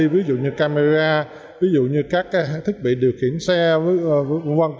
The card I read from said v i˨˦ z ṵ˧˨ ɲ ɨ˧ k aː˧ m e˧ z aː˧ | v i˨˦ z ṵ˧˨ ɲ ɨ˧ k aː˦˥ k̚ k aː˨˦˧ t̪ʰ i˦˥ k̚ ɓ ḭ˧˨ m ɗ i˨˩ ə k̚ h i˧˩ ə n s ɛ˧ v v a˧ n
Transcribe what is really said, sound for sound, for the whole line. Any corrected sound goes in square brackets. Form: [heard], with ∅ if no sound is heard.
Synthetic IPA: v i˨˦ z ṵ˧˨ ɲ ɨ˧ k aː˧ m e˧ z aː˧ | v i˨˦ z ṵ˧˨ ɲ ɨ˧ k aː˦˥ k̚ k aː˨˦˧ t̪ʰ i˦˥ k̚ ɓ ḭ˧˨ [∅] ɗ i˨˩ ə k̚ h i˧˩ ə n s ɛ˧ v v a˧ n